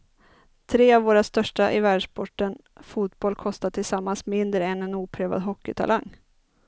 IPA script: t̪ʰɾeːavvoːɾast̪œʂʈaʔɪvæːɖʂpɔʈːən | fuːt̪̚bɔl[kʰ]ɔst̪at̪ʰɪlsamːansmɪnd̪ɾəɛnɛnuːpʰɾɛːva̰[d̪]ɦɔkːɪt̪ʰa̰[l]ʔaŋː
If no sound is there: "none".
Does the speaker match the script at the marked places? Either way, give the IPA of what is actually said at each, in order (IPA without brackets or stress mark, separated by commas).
kʰ, d̪, l